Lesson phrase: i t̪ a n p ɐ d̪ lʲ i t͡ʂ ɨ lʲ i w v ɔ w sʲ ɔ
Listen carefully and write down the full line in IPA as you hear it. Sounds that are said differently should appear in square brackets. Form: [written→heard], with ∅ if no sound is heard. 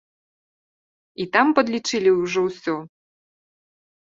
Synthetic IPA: i t̪ a [n→m] p ɐ d̪ lʲ i t͡ʂ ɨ lʲ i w [v→ʐ] ɔ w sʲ ɔ